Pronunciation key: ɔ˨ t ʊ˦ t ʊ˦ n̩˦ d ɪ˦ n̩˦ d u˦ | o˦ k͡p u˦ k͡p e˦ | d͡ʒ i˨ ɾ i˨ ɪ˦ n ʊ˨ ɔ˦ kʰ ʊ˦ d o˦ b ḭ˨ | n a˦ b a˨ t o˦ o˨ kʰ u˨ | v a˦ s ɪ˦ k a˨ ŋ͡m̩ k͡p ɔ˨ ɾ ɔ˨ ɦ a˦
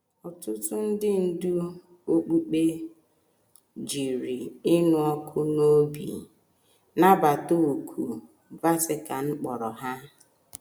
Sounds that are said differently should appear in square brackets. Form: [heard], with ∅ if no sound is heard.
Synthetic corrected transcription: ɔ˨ t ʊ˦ t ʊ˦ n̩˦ d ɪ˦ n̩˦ d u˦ | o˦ k͡p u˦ k͡p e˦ | d͡ʒ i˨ ɾ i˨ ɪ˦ n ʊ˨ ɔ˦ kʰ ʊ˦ [n] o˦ b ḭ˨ | n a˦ b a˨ t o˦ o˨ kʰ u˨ | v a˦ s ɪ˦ k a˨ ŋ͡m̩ k͡p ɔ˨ ɾ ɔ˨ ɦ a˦